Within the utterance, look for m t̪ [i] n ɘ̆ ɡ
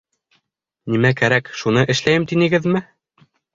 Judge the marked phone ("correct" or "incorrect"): correct